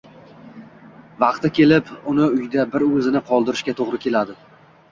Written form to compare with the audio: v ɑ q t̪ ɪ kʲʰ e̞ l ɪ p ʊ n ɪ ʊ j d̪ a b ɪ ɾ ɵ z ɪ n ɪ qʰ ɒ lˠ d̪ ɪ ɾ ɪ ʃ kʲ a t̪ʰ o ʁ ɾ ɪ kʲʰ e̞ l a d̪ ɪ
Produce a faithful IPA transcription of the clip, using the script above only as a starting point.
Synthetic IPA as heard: v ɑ q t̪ ɪ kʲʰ e̞ l ɪ p ʊ n ɪ ʊ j d̪ a b ɪ ɾ ɵ z ɪ n ɪ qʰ ɒ lˠ d̪ ɪ ɾ ɪ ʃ kʲ a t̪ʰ o ʁ ɾ ɪ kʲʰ e̞ l a d̪ ɪ